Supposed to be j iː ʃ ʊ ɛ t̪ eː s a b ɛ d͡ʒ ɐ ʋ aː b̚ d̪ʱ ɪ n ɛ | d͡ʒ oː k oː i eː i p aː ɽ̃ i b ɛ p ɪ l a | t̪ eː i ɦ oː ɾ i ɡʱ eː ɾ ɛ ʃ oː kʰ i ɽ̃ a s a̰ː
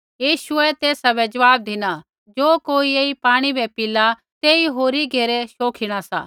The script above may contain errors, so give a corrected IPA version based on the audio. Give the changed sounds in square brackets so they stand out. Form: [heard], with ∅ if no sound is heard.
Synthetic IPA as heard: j iː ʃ ʊ ɛ t̪ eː s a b ɛ d͡ʒ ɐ ʋ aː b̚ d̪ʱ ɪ n [a] | d͡ʒ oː k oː i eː i p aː ɽ̃ i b ɛ p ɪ l a | t̪ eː i ɦ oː ɾ i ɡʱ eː ɾ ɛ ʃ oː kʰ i ɽ̃ a s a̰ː